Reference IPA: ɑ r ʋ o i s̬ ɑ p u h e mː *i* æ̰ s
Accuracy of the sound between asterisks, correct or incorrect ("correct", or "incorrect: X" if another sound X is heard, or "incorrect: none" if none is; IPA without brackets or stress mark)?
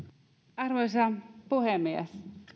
correct